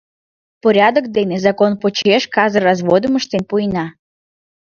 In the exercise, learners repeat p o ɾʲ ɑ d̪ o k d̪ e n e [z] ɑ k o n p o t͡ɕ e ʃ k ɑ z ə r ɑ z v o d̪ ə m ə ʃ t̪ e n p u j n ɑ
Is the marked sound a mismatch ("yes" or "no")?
no